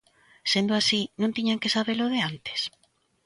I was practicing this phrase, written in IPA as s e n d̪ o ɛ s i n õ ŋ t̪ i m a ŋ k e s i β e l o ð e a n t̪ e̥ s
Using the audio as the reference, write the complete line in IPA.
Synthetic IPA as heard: s e n d̪ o a s i n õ n t̪ i ɲ a ŋ k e s a β e l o ð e a n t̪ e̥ s